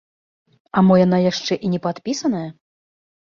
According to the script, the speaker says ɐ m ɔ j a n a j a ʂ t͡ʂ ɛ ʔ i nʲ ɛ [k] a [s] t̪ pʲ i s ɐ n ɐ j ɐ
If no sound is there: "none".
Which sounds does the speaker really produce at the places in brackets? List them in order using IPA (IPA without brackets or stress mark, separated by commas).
p, none